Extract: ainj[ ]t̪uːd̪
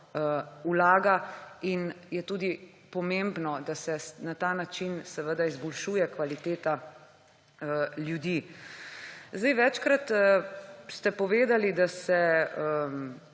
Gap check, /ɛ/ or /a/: ɛ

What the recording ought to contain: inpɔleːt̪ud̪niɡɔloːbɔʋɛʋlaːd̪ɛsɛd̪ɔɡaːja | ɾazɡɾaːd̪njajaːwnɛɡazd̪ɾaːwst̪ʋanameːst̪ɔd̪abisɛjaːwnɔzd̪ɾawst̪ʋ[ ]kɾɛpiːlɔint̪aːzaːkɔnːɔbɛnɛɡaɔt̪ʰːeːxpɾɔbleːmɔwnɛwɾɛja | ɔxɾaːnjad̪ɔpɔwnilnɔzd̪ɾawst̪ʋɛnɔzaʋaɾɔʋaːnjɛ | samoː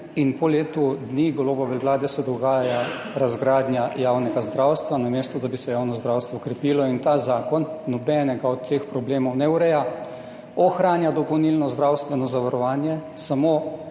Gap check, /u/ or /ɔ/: ɔ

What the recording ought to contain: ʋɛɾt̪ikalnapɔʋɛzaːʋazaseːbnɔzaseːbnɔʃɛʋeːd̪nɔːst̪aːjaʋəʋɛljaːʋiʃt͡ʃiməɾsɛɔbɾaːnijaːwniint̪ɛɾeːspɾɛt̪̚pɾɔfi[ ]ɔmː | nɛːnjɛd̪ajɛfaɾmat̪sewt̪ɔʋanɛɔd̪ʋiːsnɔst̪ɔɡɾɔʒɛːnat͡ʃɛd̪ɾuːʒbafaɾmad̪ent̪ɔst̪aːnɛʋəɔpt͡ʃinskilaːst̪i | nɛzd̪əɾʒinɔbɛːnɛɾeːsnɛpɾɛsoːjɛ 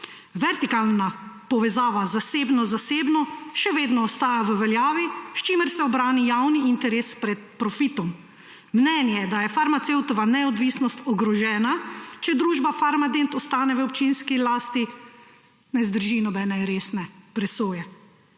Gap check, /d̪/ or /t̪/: t̪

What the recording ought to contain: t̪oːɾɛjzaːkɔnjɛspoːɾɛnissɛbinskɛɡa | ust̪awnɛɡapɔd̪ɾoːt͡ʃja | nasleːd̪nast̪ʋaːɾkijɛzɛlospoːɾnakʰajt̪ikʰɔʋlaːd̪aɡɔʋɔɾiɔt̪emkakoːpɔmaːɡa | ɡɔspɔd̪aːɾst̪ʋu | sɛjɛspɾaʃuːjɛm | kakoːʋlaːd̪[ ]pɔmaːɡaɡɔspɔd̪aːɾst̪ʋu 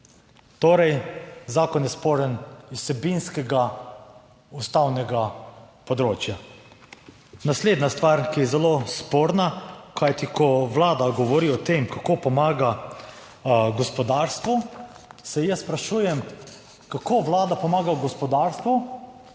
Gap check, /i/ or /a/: a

